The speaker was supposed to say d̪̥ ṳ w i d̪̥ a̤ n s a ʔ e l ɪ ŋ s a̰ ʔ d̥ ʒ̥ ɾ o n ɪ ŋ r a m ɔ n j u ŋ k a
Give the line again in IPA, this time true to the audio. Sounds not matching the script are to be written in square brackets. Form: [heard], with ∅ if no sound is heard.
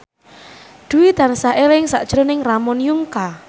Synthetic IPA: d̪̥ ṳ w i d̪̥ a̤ n s a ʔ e l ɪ ŋ s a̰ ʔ d̥ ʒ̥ ɾ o n ɪ ŋ r a m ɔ n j u ŋ k a